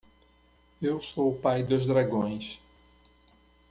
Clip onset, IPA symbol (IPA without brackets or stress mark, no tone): e